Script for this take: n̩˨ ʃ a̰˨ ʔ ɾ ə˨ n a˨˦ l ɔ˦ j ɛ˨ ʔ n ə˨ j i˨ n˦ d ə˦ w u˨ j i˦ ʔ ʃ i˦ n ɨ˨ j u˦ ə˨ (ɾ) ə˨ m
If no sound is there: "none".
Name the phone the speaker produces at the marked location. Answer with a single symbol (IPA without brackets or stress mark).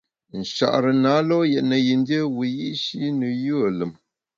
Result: l